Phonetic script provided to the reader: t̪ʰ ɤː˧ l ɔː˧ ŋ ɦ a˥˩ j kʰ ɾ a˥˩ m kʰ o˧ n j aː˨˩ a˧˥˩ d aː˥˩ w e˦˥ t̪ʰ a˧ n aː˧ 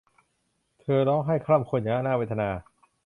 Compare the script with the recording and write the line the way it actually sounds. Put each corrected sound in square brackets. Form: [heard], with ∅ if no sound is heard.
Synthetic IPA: t̪ʰ ɤː˧ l [ɔː˦˥] ŋ ɦ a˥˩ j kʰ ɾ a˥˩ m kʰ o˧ n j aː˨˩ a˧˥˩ [n] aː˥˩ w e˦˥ t̪ʰ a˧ n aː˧

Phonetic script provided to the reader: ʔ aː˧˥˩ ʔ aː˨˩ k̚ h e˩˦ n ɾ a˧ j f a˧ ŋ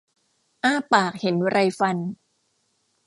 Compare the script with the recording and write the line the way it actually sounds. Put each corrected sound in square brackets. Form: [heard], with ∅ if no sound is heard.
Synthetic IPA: ʔ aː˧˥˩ [p] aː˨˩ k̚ h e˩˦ n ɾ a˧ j f a˧ [n]

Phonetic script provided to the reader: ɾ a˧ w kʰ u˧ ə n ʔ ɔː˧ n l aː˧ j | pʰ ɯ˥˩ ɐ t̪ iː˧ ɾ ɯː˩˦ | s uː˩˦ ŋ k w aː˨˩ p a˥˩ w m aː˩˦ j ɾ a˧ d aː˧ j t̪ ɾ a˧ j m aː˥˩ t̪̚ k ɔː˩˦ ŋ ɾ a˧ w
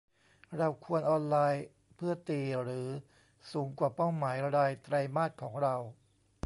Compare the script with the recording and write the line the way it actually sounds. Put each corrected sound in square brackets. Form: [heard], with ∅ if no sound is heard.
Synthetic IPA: ɾ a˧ w kʰ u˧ ə n ʔ ɔː˧ n l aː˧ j | pʰ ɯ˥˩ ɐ t̪ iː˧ ɾ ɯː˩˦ | s uː˩˦ ŋ k w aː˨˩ p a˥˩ w m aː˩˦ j ɾ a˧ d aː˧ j t̪ ɾ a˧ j m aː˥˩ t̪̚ [kʰ] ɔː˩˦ ŋ ɾ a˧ w

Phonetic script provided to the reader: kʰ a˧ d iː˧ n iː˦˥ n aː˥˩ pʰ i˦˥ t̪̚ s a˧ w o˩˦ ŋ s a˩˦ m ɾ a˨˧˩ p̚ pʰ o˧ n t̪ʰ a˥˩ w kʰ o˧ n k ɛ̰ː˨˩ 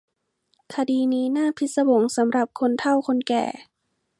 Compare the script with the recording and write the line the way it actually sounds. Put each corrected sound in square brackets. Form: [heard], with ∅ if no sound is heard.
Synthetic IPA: kʰ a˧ d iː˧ n iː˦˥ n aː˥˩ pʰ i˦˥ t̪̚ s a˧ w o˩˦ ŋ s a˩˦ m ɾ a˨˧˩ p̚ [kʰ] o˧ n t̪ʰ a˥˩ w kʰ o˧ n k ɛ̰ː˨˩

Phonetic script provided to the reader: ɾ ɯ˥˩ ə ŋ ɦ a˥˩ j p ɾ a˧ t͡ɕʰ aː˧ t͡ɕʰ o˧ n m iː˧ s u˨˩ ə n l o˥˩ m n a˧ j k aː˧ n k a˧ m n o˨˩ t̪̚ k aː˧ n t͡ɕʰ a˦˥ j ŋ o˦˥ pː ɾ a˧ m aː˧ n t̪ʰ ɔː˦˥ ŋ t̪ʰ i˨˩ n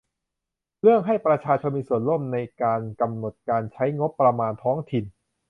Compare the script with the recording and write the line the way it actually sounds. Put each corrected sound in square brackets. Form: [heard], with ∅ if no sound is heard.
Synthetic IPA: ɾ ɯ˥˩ ə ŋ ɦ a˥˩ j p ɾ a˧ t͡ɕʰ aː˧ t͡ɕʰ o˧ n m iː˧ s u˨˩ ə n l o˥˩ m n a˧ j k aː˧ n k a˧ m n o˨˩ t̪̚ k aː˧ n t͡ɕʰ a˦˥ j ŋ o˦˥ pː ɾ a˧ m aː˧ n t̪ʰ ɔː˦˥ ŋ t̪ʰ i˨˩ n

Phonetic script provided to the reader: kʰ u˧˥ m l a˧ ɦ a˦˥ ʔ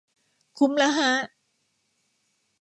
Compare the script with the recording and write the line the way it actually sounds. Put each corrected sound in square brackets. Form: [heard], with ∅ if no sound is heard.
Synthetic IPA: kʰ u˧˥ m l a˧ ɦ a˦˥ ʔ

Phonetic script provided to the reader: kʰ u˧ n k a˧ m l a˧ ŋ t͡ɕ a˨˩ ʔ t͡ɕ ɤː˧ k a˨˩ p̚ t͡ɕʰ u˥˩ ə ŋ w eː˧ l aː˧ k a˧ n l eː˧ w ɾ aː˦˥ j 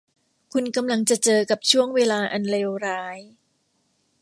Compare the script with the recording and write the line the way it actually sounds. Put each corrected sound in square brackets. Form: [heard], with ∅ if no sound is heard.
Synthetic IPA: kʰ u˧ n k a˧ m l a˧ ŋ t͡ɕ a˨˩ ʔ t͡ɕ ɤː˧ k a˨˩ p̚ t͡ɕʰ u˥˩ ə ŋ w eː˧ l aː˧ [ʔ] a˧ n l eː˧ w ɾ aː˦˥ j

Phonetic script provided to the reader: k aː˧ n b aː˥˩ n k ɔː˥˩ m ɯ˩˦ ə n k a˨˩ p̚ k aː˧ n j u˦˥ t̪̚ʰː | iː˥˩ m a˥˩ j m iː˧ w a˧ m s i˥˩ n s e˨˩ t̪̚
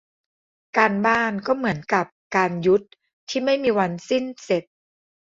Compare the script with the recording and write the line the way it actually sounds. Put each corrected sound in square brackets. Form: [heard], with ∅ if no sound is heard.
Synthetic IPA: k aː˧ n b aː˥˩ n k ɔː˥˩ m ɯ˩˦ ə n k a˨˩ p̚ k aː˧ n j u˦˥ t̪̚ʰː | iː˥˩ m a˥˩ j m iː˧ w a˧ [n] s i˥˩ n s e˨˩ t̪̚

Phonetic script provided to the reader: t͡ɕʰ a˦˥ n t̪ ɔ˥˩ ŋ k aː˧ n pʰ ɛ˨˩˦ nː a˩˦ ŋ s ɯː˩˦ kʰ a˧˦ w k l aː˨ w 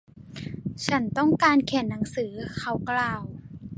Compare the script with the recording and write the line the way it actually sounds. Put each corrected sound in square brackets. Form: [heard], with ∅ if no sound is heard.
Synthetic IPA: t͡ɕʰ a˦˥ n t̪ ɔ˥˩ ŋ k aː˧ n [kʰ] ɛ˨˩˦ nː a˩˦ ŋ s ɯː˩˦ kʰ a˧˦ w k l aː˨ w

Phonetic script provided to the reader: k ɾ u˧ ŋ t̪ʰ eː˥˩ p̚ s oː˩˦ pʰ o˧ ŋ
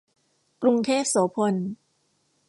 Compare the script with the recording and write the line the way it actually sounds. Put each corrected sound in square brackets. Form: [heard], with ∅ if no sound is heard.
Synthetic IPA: k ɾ u˧ ŋ t̪ʰ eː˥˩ p̚ s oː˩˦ pʰ o˧ [n]

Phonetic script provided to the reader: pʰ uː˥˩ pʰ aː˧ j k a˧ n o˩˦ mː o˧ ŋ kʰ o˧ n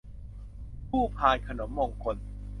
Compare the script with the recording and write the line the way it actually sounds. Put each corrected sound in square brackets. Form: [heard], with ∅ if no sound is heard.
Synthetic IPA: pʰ uː˥˩ pʰ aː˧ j [kʰ] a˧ n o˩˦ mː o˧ ŋ kʰ o˧ n

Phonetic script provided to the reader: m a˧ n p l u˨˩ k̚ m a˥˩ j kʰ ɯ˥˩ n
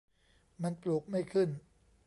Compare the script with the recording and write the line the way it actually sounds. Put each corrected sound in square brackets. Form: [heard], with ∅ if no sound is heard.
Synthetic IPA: m a˧ n p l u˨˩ k̚ m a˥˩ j kʰ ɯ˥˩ n

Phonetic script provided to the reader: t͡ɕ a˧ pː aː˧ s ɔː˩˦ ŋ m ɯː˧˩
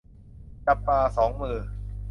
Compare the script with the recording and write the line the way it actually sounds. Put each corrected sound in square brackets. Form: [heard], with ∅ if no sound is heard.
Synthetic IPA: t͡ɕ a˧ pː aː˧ s ɔː˩˦ ŋ m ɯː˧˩

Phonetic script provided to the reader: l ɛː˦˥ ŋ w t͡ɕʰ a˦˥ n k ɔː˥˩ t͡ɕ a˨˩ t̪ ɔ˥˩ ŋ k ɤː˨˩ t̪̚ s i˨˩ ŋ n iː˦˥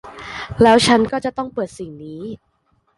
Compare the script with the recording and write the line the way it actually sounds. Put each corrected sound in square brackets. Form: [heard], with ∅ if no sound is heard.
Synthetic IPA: l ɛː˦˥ [∅] w t͡ɕʰ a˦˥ n k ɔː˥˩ t͡ɕ a˨˩ t̪ ɔ˥˩ ŋ [p] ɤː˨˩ t̪̚ s i˨˩ ŋ n iː˦˥

